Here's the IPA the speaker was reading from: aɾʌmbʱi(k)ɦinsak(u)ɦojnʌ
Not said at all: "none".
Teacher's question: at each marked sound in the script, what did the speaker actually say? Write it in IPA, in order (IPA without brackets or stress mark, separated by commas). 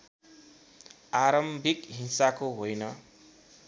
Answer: k, o